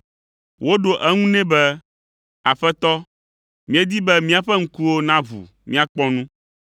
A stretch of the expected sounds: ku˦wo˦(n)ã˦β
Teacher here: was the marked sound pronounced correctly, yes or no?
yes